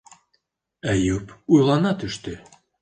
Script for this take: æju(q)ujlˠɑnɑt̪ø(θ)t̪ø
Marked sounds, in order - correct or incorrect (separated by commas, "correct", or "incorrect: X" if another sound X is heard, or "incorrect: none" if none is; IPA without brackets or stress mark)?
incorrect: p, incorrect: ʃ